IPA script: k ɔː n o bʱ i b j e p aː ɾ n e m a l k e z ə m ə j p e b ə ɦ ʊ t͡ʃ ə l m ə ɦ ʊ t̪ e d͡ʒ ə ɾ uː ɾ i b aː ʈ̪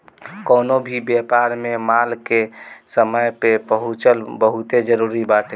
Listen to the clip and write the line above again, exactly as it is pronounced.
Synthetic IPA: k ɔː n o bʱ i b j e p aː ɾ m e m a l k e s ə m ə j p e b ə ɦ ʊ t͡ʃ ə l b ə ɦ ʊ t̪ e d͡ʒ ə ɾ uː ɾ i b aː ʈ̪